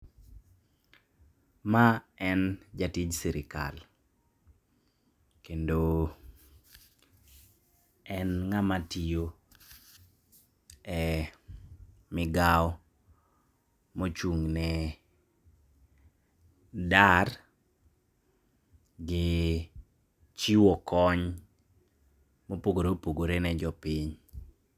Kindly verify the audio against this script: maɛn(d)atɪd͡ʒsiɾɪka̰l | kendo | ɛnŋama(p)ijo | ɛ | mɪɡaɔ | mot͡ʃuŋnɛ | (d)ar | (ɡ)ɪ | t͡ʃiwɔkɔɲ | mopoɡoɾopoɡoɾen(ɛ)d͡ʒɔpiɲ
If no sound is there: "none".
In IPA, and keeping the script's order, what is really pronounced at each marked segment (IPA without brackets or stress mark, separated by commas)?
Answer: d͡ʒ, t, d, ɡ, ɛ